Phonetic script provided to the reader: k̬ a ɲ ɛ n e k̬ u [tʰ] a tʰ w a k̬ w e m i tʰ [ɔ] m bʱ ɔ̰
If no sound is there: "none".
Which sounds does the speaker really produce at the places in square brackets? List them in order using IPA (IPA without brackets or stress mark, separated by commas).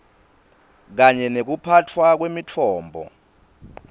pʰ, ɔː